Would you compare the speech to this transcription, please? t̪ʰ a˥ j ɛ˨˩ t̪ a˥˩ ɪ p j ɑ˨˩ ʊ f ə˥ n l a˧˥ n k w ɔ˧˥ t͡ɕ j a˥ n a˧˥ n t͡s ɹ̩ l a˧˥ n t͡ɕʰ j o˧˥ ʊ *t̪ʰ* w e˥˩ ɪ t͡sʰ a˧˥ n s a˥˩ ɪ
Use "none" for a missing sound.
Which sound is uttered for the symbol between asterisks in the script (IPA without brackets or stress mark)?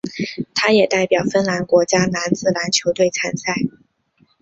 t̪